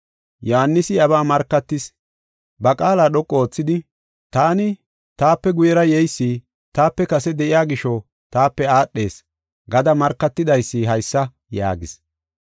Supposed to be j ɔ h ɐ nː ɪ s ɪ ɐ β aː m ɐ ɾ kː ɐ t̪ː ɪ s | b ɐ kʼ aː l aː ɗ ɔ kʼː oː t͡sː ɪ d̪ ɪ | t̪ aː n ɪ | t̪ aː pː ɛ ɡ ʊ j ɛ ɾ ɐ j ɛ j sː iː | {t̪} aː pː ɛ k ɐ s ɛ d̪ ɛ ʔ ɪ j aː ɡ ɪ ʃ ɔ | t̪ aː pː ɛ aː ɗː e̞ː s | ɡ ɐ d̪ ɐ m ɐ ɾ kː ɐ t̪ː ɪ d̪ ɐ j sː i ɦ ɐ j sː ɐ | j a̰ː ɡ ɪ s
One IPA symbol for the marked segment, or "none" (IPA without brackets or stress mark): t̪